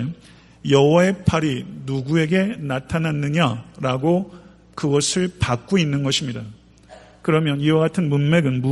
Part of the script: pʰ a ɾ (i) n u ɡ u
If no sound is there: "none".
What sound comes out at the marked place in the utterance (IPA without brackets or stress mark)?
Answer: i